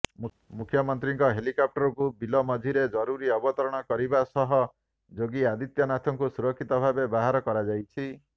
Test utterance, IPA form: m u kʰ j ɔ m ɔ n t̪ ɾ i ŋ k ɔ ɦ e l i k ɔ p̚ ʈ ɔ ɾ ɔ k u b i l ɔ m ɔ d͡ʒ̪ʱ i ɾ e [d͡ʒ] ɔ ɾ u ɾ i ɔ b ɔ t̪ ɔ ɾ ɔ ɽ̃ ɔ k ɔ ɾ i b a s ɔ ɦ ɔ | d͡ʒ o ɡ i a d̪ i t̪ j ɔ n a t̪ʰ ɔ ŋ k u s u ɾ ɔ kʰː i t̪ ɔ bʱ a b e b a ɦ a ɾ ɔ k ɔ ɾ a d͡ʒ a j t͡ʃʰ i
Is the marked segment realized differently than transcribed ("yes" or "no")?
no